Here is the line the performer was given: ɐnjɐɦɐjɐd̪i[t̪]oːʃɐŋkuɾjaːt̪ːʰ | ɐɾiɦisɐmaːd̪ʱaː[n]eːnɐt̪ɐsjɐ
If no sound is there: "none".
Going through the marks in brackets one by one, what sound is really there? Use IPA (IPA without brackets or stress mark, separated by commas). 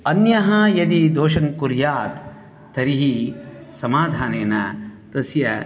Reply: d̪, n